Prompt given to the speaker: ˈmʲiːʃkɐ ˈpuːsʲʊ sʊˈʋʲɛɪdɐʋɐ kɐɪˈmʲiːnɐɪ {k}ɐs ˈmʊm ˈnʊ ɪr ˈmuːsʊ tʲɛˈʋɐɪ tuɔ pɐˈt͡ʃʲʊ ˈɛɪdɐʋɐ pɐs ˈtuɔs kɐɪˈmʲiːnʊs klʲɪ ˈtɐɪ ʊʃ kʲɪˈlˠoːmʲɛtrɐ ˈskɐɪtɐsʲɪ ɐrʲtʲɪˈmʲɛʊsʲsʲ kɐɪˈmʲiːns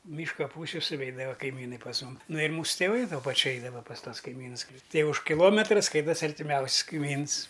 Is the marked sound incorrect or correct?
incorrect